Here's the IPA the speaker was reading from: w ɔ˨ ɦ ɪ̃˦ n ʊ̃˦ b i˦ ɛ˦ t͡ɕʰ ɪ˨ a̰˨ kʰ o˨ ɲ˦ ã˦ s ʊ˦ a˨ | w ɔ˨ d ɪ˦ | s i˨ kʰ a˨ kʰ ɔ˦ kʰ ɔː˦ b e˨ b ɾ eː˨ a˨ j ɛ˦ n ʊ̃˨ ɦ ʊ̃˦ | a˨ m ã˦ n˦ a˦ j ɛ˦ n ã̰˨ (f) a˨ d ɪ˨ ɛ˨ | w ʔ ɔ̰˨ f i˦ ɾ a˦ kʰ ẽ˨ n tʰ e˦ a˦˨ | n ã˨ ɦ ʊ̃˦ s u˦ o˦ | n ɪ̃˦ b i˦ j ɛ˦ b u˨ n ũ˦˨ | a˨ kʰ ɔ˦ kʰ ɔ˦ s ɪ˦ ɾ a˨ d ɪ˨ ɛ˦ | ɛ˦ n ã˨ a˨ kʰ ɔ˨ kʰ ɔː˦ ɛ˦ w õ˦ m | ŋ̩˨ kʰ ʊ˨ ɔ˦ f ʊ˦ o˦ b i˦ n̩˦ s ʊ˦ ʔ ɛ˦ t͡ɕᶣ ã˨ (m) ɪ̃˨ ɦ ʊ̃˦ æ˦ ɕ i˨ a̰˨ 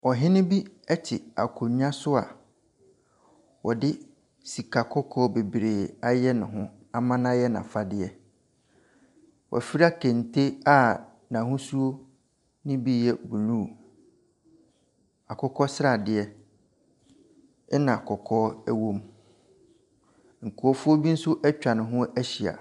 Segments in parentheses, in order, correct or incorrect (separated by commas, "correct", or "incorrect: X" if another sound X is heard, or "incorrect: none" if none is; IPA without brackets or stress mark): correct, incorrect: n